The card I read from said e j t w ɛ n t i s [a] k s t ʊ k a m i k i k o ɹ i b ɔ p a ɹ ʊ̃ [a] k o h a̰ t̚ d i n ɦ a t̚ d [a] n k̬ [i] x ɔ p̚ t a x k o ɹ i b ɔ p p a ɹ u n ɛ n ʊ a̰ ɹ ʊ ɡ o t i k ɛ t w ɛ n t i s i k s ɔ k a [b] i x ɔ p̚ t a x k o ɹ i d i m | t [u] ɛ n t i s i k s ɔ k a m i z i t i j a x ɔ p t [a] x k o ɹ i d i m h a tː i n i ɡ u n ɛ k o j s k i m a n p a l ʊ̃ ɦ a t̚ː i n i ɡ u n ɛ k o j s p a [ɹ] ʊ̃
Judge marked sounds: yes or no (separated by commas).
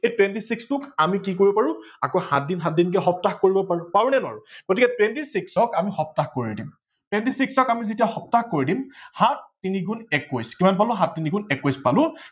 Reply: no, yes, no, no, no, no, yes, no